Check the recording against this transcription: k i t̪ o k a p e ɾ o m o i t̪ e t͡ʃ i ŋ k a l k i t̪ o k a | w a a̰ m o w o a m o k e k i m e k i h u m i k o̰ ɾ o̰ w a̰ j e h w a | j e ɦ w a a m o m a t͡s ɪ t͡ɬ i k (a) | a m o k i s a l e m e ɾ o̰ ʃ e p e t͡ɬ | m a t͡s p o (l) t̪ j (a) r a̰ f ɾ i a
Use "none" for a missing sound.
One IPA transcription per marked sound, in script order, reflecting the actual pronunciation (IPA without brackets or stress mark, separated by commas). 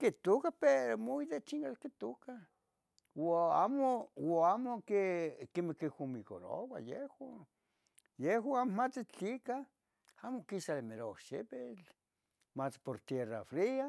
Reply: a, ɾ, e